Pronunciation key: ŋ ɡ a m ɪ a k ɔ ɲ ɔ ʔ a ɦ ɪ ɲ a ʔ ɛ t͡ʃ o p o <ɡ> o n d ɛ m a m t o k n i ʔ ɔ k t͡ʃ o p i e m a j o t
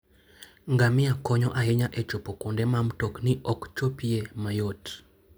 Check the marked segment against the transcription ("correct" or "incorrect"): incorrect